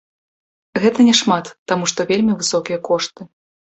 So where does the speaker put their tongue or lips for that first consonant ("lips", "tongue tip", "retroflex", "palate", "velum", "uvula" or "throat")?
velum